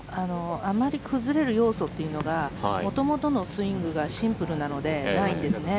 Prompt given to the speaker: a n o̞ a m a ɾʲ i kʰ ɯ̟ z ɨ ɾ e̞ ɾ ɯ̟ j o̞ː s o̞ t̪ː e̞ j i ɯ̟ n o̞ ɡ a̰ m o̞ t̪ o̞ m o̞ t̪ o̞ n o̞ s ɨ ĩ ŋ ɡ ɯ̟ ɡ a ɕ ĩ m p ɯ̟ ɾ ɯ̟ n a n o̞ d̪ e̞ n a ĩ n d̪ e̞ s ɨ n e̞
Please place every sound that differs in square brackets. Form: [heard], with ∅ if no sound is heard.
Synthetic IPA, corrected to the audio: a n o̞ a m a ɾʲ i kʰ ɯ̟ z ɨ ɾ e̞ ɾ ɯ̟ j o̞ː s o̞ t̪ː e̞ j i ɯ̟ n o̞ ɡ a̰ m o̞ t̪ o̞ m o̞ t̪ o̞ n o̞ s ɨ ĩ ŋ ɡ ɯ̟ ɡ a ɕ ĩ m p ɯ̟ ɾ ɯ̟ n a n o̞ d̪ e̞ n a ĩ n d̪ e̞ s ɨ n e̞